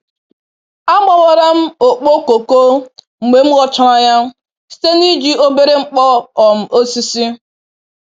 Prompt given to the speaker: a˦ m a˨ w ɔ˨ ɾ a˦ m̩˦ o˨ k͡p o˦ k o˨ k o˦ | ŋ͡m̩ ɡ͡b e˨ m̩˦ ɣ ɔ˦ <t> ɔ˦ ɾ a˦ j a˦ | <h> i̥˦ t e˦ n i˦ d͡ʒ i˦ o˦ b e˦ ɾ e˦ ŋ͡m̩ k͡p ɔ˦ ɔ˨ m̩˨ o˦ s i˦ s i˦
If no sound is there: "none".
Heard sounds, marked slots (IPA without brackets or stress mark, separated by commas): t͡ʃ, s